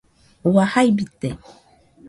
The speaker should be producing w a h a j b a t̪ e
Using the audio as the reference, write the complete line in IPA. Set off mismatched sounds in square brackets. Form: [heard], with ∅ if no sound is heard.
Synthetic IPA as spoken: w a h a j b [i] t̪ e